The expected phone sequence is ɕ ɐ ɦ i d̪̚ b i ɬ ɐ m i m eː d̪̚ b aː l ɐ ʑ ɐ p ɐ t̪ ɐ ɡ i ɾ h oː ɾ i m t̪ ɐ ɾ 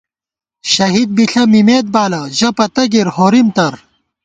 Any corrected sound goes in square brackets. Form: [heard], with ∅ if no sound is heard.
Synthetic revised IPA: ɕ ɐ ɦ i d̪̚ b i ɬ ɐ m i m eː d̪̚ b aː l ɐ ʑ ɐ p ɐ t̪ ɐ ɡ i ɾ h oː ɾ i m t̪ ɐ ɾ

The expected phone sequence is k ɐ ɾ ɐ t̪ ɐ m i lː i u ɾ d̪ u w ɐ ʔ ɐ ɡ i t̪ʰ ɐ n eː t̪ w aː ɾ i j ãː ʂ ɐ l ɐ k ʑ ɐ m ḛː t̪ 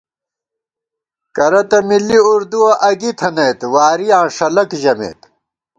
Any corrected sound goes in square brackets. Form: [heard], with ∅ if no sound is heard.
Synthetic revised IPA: k ɐ ɾ ɐ t̪ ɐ m i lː i u ɾ d̪ u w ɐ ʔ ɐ ɡ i t̪ʰ ɐ n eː t̪ w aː ɾ i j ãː ʂ ɐ l ɐ k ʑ ɐ m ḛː t̪

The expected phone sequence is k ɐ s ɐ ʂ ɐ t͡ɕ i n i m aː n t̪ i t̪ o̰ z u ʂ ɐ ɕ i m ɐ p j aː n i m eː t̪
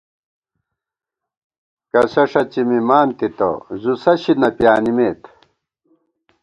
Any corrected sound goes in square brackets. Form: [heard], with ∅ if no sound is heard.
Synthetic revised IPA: k ɐ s ɐ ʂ ɐ t͡ɕ i [m] i m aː n t̪ i t̪ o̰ z u [s] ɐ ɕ i [n] ɐ p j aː n i m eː t̪

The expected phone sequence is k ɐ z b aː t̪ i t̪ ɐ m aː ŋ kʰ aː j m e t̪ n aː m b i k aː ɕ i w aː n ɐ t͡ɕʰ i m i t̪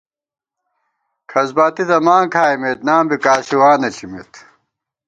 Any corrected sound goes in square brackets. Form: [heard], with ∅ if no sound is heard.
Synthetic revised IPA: [kʰ] ɐ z b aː t̪ i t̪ ɐ m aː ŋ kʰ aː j m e t̪ n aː m b i k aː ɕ i w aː n ɐ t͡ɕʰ i m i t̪

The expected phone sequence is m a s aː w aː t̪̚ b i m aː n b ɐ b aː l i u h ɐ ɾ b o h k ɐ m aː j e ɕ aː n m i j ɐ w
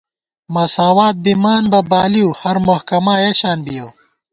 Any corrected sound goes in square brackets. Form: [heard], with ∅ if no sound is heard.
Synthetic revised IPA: m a s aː w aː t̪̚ b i m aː n b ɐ b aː l i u h ɐ ɾ [m] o h k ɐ m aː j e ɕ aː n [b] i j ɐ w

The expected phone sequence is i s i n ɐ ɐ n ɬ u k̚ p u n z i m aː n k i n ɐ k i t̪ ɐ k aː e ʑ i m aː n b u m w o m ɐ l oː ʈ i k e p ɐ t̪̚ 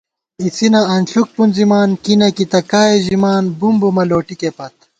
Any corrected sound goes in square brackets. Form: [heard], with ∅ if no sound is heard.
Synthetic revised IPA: i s i n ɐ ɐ n ɬ u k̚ p u n z i m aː n k i n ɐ k i t̪ ɐ k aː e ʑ i m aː n b u m [b] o m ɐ l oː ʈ i k e p ɐ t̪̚

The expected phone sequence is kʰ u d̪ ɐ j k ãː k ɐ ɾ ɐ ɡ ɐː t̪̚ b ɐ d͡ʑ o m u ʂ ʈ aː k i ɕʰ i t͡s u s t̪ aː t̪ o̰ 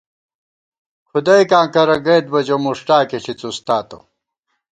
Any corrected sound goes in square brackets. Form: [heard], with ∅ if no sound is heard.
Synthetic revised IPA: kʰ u d̪ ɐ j k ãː k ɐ ɾ ɐ ɡ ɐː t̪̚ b ɐ d͡ʑ o m u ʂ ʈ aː k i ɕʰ i t͡s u s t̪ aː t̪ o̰

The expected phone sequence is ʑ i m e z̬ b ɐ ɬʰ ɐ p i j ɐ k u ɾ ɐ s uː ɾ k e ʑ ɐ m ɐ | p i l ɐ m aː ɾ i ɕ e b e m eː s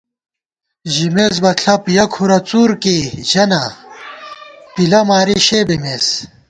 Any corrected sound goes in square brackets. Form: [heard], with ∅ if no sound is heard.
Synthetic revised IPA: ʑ i m e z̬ b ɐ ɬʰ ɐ p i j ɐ [kʰ] u ɾ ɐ [t͡s] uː ɾ k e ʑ ɐ [n] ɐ | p i l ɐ m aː ɾ i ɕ e b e m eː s

